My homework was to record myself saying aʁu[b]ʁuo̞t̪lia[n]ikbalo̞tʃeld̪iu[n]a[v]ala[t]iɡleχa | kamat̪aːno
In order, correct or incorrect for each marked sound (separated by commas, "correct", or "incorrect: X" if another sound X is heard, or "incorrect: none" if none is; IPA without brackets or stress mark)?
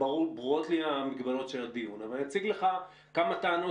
correct, incorrect: m, correct, correct, incorrect: t͡s